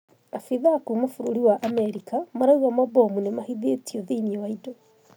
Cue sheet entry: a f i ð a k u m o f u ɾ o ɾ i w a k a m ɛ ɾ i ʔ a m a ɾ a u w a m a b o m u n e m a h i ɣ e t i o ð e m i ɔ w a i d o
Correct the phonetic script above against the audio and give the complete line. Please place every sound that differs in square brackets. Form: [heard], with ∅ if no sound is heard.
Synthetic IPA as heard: a f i ð a k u m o f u ɾ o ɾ i w a [ʔ] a m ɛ ɾ i [k] a m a ɾ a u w a m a b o m u n e m a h i [ð] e t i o ð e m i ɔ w a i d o